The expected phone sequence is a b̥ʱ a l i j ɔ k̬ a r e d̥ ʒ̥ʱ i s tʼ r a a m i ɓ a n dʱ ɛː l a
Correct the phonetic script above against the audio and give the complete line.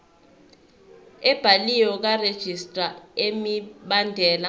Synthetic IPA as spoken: ɛ b̥ʱ a l i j ɔ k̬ a r e d̥ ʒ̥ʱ i s tʼ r a e m i ɓ a n dʱ ɛː l a